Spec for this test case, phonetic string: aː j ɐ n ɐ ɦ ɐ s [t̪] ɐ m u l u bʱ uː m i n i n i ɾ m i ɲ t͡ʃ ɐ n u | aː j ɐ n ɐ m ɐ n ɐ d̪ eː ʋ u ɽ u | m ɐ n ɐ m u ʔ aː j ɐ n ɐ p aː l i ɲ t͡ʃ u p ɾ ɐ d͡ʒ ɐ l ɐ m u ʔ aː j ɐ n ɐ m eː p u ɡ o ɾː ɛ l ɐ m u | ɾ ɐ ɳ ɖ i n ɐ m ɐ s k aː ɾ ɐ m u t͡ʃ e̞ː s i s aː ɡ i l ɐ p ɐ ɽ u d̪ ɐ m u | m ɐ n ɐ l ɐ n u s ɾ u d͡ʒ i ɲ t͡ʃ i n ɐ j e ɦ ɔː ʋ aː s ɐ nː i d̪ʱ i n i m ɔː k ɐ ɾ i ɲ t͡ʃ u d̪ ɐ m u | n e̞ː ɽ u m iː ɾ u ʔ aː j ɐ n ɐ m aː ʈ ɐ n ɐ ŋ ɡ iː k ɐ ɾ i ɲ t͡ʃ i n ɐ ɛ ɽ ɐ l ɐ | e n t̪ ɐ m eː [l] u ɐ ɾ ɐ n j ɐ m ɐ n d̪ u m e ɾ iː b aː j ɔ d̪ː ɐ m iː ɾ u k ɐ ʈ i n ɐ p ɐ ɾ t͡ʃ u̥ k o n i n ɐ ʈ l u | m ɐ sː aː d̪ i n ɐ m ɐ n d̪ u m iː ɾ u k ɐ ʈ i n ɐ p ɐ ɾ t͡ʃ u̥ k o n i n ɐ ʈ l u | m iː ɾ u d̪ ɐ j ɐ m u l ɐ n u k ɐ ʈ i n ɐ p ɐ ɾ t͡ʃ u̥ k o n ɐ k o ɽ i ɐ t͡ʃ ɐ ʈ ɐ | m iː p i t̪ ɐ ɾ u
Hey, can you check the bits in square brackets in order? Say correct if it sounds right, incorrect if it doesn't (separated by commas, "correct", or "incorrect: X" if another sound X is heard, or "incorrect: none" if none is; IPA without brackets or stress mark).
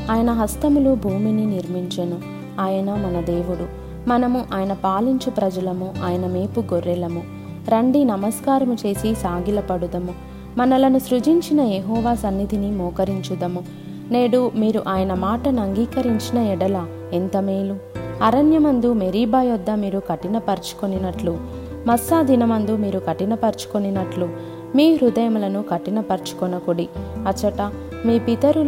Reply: correct, correct